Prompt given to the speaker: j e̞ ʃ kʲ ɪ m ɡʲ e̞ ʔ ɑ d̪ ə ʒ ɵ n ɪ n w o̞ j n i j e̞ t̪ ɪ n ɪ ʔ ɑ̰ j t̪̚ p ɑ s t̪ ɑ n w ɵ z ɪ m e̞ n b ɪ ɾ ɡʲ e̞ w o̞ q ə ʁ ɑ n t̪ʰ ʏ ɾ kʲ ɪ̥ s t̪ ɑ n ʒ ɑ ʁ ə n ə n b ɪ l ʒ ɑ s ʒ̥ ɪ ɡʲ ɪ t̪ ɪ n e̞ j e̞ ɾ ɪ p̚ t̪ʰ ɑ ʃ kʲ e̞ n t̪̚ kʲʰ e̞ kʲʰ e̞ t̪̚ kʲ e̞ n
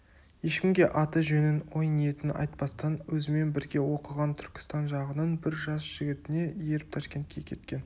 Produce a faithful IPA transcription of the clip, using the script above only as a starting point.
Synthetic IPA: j e̞ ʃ kʲ ɪ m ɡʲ e̞ ʔ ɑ t̪ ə ʒ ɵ n ɪ n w o̞ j n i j e̞ t̪ ɪ n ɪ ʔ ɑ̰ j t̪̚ p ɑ s t̪ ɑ n w ɵ z ɪ m e̞ n b ɪ ɾ ɡʲ e̞ w o̞ q ə ʁ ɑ n t̪ʰ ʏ ɾ kʲ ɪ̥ s t̪ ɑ n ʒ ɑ ʁ ə n ə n b ɪ ɾ ʒ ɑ s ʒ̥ ɪ ɡʲ ɪ t̪ ɪ n e̞ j e̞ ɾ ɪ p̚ t̪ʰ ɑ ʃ kʲ e̞ n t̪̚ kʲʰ e̞ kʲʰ e̞ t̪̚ kʲ e̞ n